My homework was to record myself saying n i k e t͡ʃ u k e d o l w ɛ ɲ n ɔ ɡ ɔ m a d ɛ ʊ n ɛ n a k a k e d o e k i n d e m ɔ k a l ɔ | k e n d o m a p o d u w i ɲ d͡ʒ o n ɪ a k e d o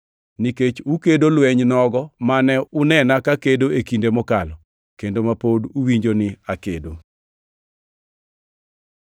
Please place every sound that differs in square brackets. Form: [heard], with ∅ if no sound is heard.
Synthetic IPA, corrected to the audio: n i k e t͡ʃ u k e d o l w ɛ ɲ n ɔ ɡ ɔ m a [n] ɛ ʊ n ɛ n a k a k e d o e k i n d e m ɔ k a l ɔ | k e n d o m a p o d u w i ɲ d͡ʒ o n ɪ a k e d o